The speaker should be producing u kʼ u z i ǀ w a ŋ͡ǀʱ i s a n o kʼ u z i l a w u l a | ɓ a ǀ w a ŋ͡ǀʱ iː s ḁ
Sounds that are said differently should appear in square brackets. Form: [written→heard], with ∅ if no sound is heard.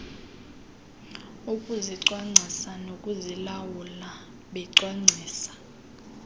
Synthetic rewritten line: u kʼ u z i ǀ w a ŋ͡ǀʱ i s a n o kʼ u z i l a w u l a | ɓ [a→ɛ] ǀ w a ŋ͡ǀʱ iː s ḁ